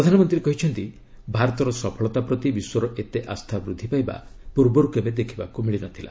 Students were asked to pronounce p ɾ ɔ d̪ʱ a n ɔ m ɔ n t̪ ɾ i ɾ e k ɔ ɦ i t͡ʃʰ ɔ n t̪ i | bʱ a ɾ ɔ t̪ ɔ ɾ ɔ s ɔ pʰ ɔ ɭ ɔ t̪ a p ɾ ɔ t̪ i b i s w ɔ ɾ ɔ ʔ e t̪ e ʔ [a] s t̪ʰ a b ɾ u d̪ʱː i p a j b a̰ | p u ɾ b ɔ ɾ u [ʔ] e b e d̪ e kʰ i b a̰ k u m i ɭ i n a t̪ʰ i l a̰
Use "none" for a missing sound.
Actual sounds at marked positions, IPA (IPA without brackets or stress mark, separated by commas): a, k